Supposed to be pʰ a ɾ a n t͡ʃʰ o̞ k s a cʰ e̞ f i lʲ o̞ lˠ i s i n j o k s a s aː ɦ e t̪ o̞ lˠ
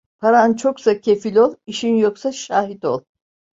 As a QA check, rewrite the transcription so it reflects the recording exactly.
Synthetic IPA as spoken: pʰ a ɾ a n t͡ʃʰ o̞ k s a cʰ e̞ f i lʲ o̞ lˠ i ʃ i n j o k s a ʃ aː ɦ i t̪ o̞ lˠ

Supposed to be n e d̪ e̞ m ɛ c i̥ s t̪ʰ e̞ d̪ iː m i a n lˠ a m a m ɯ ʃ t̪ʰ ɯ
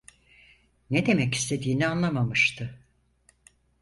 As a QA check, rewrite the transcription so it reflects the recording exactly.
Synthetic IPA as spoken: n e d̪ e̞ m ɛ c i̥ s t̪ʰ e̞ d̪ iː n i a n lˠ a m a m ɯ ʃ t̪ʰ ɯ

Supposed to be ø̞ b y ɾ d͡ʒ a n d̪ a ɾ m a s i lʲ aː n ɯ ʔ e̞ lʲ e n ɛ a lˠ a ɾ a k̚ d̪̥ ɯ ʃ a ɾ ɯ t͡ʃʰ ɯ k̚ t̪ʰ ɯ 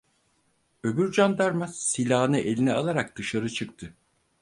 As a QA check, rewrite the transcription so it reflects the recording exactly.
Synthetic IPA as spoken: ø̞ b y ɾ d͡ʒ a n d̪ a ɾ m a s i lʲ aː n ɯ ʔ e̞ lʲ i n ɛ a lˠ a ɾ a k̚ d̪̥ ɯ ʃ a ɾ ɯ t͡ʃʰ ɯ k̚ t̪ʰ ɯ

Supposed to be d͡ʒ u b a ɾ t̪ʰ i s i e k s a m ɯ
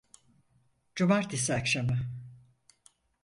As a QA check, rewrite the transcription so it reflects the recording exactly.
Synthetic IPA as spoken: d͡ʒ u m a ɾ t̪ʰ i s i a k ʃ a m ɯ

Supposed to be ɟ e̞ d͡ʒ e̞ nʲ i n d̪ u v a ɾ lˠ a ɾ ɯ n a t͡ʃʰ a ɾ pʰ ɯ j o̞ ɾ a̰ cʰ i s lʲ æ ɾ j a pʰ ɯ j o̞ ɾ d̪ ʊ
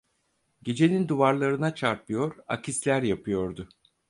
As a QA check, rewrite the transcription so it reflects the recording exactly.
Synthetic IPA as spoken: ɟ e̞ d͡ʒ e̞ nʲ i n d̪ u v a ɾ lˠ a ɾ ɯ n a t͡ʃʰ a ɾ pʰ ɯ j o̞ ɾ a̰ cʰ i s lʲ æ ɾ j a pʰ ɯ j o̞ ɾ d̪ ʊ

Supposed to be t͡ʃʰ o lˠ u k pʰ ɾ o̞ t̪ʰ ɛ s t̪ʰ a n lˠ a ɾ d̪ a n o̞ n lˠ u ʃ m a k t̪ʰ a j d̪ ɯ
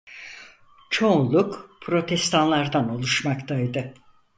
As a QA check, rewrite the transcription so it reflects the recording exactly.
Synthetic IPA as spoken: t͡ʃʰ o lˠ u k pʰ ɾ o̞ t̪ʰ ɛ s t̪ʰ a n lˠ a ɾ d̪ a n o̞ lˠ u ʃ m a k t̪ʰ a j d̪ ɯ

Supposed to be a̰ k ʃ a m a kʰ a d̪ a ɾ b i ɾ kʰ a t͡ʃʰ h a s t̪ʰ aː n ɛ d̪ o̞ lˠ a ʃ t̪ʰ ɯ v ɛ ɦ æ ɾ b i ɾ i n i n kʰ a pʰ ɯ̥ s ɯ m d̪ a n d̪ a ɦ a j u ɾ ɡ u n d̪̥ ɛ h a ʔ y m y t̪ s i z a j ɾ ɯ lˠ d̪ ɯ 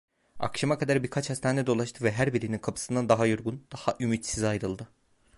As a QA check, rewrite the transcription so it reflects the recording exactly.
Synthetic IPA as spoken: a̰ k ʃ a m a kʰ a d̪ a ɾ b i ɾ kʰ a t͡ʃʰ h a s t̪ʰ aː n ɛ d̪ o̞ lˠ a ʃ t̪ʰ ɯ v ɛ ɦ æ ɾ b i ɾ i n i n kʰ a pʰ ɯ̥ s ɯ n d̪ a n d̪ a ɦ a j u ɾ ɡ u n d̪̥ a h a ʔ y m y t̪ s i z a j ɾ ɯ lˠ d̪ ɯ

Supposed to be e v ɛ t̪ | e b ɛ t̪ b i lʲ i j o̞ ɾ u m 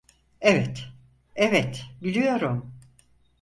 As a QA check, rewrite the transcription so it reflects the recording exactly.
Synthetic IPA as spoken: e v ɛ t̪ | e v ɛ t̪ b i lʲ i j o̞ ɾ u m

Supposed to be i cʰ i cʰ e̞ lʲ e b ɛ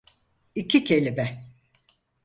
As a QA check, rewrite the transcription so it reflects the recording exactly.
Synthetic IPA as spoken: i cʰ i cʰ e̞ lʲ i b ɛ

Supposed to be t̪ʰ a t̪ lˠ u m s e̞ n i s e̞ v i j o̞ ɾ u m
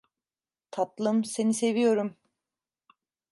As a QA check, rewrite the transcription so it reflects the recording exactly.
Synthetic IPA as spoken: t̪ʰ a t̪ lˠ ɯ m s e̞ n i s e̞ v i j o̞ ɾ u m

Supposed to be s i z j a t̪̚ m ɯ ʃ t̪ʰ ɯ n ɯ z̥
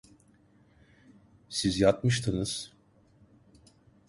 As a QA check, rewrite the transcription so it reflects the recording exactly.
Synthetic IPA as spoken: s i z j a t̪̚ m ɯ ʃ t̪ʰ ɯ n ɯ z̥

